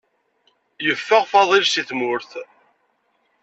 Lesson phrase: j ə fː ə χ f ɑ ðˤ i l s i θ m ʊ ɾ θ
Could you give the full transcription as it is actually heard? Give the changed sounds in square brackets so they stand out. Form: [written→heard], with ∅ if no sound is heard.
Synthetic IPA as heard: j ə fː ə [χ→ʁ] f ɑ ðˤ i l s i θ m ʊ ɾ θ